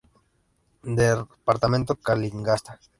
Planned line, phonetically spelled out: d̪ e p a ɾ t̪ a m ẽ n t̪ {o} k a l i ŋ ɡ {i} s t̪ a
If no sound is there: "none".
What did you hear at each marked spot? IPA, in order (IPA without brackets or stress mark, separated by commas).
o, a